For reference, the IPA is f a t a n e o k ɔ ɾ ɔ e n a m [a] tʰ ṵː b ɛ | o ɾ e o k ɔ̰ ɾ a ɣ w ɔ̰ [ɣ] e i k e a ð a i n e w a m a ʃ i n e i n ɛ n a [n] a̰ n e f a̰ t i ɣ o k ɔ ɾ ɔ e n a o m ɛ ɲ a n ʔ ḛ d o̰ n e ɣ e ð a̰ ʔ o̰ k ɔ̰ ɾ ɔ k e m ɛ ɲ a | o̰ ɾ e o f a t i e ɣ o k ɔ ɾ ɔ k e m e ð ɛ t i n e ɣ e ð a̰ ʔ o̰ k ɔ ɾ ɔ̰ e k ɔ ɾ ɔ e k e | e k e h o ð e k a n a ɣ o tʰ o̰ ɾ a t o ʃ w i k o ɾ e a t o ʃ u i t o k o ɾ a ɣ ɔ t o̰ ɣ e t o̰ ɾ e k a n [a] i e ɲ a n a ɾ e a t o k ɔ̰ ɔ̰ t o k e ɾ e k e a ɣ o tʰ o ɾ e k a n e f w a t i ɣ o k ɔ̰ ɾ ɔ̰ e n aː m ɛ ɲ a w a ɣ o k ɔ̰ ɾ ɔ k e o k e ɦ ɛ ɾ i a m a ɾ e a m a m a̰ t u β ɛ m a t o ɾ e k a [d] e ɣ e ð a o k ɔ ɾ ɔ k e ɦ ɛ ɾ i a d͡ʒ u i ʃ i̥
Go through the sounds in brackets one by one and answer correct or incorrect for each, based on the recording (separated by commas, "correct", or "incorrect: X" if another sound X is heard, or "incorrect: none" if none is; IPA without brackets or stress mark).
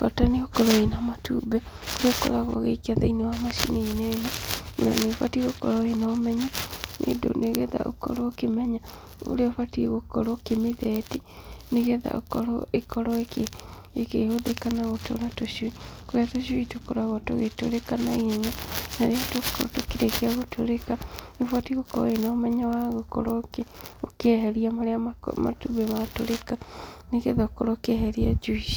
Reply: correct, correct, correct, correct, incorrect: n